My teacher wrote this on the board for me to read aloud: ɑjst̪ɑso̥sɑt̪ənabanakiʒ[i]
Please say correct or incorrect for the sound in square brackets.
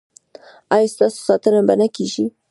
correct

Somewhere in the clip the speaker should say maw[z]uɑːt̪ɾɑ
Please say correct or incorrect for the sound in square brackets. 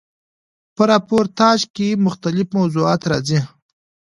correct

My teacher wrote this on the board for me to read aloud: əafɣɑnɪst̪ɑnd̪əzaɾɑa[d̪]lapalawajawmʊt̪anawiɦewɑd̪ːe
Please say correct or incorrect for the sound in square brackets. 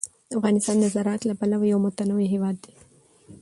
incorrect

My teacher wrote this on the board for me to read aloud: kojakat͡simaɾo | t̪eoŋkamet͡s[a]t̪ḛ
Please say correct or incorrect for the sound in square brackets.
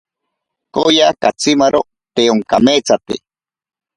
correct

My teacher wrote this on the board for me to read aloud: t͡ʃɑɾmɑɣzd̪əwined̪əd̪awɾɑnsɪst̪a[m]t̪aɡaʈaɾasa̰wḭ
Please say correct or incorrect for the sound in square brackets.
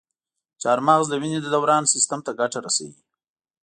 correct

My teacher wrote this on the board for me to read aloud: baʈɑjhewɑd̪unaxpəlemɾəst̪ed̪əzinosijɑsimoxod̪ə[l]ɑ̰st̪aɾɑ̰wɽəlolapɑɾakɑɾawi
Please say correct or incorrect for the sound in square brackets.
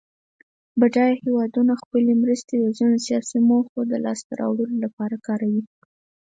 correct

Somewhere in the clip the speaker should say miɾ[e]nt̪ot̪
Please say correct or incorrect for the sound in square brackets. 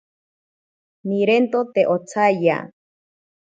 correct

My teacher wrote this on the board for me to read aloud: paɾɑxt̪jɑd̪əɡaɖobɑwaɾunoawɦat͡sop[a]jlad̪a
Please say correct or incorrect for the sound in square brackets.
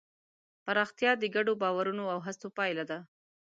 incorrect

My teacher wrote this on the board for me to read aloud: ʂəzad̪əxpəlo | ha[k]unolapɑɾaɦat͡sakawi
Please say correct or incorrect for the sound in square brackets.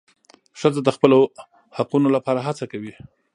incorrect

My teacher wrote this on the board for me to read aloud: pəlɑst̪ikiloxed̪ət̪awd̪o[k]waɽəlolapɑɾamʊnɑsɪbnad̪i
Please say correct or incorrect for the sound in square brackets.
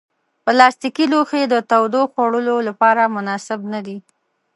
incorrect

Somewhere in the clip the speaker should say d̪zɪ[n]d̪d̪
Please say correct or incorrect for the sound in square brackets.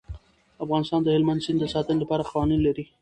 correct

